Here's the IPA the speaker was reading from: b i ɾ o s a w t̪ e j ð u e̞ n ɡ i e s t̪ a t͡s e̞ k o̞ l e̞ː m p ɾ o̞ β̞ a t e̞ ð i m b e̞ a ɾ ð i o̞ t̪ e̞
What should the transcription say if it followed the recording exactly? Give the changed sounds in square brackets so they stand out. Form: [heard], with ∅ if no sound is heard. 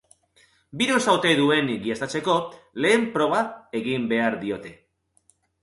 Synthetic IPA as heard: b i ɾ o s a w t̪ e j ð u e̞ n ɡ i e s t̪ a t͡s e̞ k o̞ l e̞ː m p ɾ o̞ β̞ a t e̞ [ɣ] i m b e̞ a ɾ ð i o̞ t̪ e̞

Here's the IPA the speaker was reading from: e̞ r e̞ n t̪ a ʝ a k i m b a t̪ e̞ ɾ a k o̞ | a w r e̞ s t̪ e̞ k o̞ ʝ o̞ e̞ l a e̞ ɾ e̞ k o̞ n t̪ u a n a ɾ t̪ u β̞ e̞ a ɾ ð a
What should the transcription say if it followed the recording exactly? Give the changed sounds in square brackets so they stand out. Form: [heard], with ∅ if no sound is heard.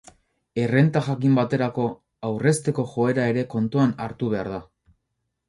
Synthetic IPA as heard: e̞ r e̞ n t̪ a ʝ a k i m b a t̪ e̞ ɾ a k o̞ | a w r e̞ s t̪ e̞ k o̞ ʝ o̞ e̞ [ɾ] a e̞ ɾ e̞ k o̞ n t̪ u a n a ɾ t̪ u β̞ e̞ a ɾ ð a

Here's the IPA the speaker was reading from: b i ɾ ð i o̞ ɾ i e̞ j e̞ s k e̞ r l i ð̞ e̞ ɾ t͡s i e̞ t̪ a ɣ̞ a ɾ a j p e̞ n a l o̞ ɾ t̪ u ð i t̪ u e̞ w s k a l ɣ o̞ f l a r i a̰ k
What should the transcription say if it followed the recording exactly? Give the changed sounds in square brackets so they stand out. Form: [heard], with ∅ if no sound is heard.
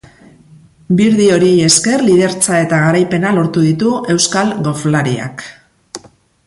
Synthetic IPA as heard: b i ɾ ð i o̞ ɾ i e̞ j e̞ s k e̞ r l i ð̞ e̞ ɾ t͡s [a] e̞ t̪ a ɣ̞ a ɾ a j p e̞ n a l o̞ ɾ t̪ u ð i t̪ u e̞ w s k a l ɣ o̞ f l a [ɾ] i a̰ k

